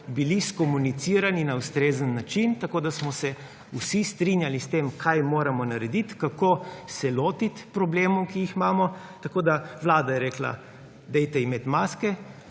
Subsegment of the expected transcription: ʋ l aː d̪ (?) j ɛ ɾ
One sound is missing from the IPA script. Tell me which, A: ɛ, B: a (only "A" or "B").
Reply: B